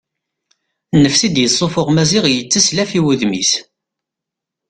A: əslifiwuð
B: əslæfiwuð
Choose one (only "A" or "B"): B